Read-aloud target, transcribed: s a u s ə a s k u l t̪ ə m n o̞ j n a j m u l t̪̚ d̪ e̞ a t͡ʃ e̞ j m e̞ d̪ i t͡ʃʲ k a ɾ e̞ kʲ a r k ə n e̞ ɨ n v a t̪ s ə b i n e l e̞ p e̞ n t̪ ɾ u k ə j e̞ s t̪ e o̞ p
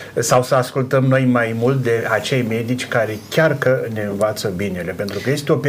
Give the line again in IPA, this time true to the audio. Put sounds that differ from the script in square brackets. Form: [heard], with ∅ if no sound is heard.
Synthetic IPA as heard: s a [w] s ə a s k u l t̪ ə m n o̞ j [m] a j m u l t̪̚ d̪ e̞ a t͡ʃ e̞ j m e̞ d̪ i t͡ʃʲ k a ɾ e̞ kʲ a r k ə n e̞ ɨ n v a t̪ s ə b i n e l e̞ p e̞ n t̪ ɾ u k ə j e̞ s t̪ e o̞ p